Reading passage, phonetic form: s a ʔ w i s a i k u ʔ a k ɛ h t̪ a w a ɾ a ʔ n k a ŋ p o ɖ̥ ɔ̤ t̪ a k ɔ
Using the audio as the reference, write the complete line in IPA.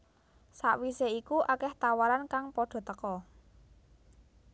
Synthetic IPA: s a ʔ w i s e i k u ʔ a k ɛ h t̪ a w a ɾ a n k a ŋ p ɔ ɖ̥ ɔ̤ t̪ ə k ɔ